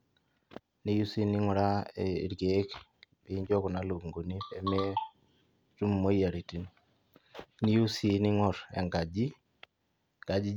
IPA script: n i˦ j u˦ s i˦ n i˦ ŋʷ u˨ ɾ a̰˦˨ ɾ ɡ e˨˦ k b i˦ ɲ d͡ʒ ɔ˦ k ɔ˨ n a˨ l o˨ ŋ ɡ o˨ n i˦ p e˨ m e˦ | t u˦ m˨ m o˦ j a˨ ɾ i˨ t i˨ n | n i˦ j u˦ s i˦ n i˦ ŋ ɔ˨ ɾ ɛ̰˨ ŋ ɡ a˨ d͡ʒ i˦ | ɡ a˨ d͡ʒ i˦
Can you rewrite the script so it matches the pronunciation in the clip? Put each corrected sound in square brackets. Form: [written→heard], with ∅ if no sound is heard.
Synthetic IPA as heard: n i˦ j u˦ s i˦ n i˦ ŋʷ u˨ ɾ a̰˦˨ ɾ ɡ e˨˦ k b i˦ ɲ d͡ʒ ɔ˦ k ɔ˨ n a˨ l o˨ ŋ ɡ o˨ n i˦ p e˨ m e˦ | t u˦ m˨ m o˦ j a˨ ɾ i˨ t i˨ n | n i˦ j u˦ s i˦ n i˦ ŋ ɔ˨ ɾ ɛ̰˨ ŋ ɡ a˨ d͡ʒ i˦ | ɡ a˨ d͡ʒ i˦